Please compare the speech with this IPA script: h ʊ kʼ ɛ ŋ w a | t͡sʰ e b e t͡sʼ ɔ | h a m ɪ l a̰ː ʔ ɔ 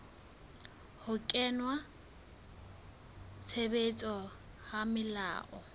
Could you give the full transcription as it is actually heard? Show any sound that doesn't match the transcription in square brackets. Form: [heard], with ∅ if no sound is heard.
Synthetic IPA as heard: h ʊ kʼ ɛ [n] w a | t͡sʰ e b e t͡sʼ ɔ | h a m ɪ l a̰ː ʔ ɔ